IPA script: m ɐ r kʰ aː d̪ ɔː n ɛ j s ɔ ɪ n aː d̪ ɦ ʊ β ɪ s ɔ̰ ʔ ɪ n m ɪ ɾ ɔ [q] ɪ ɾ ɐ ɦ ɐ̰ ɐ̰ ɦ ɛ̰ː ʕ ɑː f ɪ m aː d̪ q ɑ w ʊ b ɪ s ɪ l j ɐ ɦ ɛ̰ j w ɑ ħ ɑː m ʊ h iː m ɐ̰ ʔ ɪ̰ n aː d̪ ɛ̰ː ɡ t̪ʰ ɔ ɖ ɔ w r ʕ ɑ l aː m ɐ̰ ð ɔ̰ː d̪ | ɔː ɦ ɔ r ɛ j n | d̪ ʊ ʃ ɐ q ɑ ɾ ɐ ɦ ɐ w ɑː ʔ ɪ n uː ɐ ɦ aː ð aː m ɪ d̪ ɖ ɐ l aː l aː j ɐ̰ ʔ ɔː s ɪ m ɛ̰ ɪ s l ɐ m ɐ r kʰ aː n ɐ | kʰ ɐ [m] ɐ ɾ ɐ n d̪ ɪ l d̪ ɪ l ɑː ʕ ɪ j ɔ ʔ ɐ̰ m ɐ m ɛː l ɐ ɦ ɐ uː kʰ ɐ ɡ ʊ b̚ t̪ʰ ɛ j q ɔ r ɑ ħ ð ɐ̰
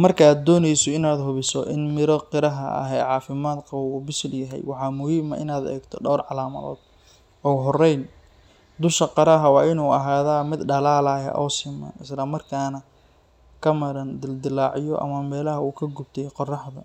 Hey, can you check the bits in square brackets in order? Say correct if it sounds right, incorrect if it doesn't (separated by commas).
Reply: correct, correct